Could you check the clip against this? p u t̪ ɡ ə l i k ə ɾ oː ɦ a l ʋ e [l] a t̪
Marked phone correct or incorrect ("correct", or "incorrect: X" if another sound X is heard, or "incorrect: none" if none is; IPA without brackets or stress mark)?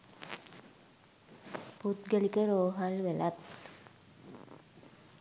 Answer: correct